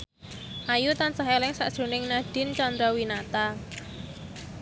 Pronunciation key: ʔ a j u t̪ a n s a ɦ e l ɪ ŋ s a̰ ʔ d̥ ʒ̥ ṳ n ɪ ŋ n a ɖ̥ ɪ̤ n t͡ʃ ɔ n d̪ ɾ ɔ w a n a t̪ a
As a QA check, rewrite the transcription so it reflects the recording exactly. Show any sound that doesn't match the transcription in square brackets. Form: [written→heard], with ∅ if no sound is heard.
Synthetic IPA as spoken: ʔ a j u t̪ a n s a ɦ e l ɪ ŋ s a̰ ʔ d̥ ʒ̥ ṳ n ɪ ŋ n a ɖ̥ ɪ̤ n t͡ʃ ɔ n d̪ ɾ ɔ w [a→i] n a t̪ a